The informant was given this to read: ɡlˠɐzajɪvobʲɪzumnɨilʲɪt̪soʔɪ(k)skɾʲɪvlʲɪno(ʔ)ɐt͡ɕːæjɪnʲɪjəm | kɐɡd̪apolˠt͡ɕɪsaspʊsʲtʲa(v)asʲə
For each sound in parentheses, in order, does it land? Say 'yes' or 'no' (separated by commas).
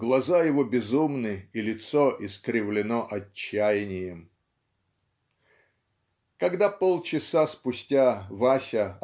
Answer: no, yes, yes